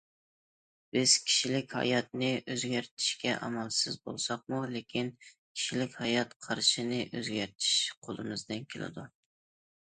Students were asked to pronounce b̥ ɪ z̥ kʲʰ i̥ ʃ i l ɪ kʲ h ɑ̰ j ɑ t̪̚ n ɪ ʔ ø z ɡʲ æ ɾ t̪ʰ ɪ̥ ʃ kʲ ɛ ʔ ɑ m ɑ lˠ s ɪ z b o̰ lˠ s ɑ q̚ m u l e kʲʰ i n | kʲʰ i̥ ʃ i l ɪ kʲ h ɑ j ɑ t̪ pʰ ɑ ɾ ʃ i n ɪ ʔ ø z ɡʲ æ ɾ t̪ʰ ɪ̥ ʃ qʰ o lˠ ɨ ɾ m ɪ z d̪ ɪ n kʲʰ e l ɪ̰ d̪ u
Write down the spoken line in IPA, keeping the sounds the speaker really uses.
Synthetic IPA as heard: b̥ ɪ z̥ kʲʰ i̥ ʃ i l ɪ kʲ h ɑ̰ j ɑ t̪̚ n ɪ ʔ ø z ɡʲ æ ɾ t̪ʰ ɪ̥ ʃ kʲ ɛ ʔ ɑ m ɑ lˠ s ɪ z b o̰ lˠ s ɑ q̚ m u l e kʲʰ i n | kʲʰ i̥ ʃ i l ɪ kʲ h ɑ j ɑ t̪ qʰ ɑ ɾ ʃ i n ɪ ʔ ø z ɡʲ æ ɾ t̪ʰ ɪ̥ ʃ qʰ o lˠ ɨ m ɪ z d̪ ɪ n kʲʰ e l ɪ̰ d̪ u